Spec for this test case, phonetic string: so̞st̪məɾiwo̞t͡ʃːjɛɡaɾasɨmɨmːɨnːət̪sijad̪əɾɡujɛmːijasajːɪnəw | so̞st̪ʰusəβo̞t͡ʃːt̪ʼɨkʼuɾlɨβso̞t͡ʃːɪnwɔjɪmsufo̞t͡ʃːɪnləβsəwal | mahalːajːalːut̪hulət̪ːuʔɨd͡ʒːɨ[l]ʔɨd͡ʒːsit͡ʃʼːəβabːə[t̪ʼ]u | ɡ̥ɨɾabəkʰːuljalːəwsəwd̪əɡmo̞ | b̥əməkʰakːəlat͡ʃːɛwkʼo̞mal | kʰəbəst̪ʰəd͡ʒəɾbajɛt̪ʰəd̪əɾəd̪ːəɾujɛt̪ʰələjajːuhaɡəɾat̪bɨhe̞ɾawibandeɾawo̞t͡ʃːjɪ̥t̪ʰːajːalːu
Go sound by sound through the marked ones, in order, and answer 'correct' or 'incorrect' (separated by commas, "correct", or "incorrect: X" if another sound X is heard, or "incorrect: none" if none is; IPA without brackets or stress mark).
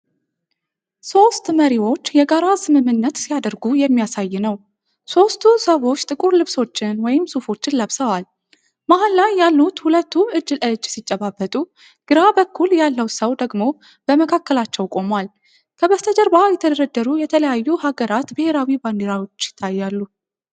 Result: correct, correct